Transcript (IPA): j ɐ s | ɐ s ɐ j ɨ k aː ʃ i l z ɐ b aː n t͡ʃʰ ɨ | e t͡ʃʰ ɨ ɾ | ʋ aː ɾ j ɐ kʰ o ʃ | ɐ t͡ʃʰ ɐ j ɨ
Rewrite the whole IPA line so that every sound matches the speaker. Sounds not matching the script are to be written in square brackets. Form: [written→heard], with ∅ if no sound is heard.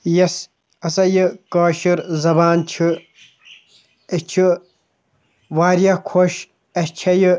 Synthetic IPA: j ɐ s | ɐ s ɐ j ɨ k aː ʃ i [l→ɾ] z ɐ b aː n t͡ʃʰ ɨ | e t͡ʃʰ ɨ [ɾ→∅] | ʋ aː ɾ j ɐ kʰ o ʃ | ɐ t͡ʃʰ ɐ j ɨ

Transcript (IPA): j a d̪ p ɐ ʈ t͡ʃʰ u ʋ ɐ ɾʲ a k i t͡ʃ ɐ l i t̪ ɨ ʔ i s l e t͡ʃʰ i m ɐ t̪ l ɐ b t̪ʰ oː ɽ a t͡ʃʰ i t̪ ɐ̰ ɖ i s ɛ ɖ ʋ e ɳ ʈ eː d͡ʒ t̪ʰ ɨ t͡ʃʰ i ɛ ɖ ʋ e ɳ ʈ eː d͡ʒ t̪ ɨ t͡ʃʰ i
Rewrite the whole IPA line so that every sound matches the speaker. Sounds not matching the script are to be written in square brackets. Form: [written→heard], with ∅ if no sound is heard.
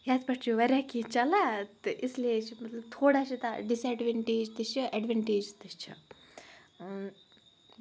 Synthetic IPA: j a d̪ p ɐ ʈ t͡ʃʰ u ʋ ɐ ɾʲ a k i t͡ʃ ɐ l [i→a] t̪ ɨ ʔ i s l e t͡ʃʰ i m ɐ t̪ l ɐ b t̪ʰ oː ɽ a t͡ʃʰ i t̪ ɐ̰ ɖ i s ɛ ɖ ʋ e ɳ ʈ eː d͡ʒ [t̪ʰ→t̪] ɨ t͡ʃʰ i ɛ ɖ ʋ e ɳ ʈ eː d͡ʒ t̪ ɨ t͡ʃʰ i

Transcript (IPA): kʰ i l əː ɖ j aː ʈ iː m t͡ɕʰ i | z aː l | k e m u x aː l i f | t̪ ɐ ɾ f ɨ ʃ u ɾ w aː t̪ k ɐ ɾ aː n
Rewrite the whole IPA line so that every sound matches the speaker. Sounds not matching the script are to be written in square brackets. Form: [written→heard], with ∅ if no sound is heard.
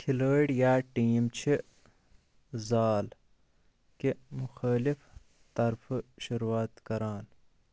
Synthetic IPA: kʰ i l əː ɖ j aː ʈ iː m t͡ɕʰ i | z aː l | k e m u x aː l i f | t̪ ɐ ɾ f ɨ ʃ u ɾ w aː t̪ k ɐ ɾ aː n

